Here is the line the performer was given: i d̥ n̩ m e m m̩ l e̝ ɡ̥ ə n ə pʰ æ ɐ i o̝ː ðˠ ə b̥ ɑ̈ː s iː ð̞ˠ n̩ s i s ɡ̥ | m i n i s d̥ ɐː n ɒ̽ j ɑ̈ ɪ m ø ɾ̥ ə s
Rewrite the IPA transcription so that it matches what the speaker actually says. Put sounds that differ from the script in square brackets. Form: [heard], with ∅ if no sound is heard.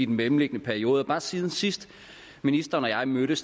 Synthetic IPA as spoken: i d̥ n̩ m e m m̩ l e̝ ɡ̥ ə n ə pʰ æ ɐ i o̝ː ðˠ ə b̥ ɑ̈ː s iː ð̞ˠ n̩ s i s [d̥] | m i n i s d̥ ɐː n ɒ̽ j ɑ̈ ɪ m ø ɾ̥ ə s

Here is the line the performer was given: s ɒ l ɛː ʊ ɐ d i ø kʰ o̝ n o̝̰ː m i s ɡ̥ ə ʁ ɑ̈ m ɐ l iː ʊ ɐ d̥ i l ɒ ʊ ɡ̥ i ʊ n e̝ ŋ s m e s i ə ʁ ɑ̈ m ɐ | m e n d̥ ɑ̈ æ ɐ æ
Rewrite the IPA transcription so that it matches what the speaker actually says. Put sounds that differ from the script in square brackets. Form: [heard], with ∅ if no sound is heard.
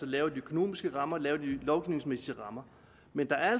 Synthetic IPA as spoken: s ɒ l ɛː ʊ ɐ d i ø kʰ o̝ n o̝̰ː m i s ɡ̥ ə ʁ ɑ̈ m ɐ l [ɛː] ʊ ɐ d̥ i l ɒ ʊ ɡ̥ i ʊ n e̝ ŋ s m e s i ə ʁ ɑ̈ m ɐ | m e n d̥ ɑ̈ æ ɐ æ

